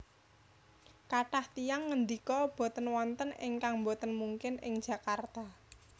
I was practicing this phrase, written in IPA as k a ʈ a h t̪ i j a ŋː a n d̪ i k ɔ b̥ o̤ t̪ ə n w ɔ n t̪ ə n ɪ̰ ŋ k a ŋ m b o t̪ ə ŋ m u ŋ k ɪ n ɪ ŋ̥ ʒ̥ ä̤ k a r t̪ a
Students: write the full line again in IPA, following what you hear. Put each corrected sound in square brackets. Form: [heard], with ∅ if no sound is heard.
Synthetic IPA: k a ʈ a h t̪ i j a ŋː [ə] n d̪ i k ɔ b̥ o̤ t̪ ə n w ɔ n t̪ ə n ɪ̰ ŋ k a ŋ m b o t̪ ə [n] m u ŋ k ɪ n ɪ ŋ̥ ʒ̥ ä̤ k a r t̪ a